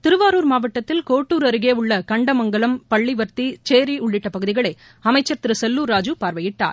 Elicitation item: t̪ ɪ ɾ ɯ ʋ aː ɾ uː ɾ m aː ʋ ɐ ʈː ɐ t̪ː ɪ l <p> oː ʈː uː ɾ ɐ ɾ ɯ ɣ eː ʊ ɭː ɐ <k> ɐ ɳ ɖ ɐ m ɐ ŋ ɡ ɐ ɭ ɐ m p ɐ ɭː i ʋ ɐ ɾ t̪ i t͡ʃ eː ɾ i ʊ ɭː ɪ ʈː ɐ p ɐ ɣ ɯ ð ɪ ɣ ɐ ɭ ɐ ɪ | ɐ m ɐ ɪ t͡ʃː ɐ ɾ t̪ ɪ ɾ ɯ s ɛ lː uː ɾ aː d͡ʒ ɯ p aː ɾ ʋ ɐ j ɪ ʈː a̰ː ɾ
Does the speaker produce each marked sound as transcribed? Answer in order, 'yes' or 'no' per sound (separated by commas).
no, yes